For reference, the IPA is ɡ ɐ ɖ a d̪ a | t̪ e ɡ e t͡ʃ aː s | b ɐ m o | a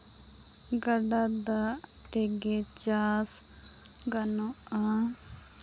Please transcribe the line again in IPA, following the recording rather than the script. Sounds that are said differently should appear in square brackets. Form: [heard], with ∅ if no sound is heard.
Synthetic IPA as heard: ɡ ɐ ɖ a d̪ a | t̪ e ɡ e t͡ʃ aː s | [ɡ] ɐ [n] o | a